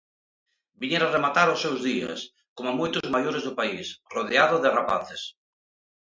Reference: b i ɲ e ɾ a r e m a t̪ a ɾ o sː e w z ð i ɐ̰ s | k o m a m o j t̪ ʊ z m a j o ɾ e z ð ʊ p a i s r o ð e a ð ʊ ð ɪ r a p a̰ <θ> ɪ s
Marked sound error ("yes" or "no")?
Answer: no